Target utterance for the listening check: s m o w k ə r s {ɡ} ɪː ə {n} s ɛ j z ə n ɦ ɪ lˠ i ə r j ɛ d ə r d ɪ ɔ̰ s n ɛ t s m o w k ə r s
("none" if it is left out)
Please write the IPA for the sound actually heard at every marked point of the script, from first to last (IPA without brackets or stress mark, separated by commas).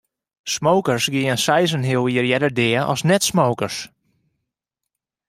ɡ, n